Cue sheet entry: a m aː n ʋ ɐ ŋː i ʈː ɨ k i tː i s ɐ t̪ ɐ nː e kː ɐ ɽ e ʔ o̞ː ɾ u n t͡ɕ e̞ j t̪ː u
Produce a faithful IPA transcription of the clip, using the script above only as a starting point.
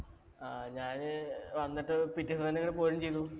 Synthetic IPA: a ɲ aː n ʋ ɐ nː i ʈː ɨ p i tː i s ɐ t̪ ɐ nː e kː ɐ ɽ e p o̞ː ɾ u m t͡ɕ e̞ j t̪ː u